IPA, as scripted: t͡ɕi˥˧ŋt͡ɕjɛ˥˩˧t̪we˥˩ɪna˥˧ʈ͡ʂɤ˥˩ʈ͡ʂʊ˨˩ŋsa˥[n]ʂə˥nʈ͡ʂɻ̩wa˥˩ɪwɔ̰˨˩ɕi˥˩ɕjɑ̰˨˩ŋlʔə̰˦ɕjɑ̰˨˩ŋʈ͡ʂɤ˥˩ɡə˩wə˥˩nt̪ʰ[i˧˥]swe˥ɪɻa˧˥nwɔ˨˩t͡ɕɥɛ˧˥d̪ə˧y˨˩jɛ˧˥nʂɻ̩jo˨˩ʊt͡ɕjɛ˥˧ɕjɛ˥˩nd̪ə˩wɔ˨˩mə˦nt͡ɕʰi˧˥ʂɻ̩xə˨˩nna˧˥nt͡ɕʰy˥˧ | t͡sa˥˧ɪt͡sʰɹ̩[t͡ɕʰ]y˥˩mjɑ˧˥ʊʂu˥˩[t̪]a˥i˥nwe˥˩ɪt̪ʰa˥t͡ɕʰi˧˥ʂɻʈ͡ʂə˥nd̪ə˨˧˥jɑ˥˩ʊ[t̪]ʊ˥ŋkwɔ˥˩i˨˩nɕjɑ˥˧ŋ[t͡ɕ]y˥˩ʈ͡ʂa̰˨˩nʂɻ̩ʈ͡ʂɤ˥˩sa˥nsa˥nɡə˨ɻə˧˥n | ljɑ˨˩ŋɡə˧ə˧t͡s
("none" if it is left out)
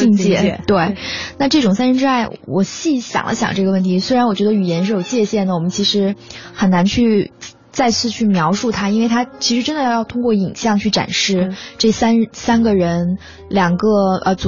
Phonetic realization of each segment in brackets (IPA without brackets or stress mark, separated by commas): n, i˧˥, t͡ɕʰ, t̪ʰ, t̪ʰ, t͡ɕʰ